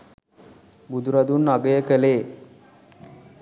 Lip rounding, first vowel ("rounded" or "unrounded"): rounded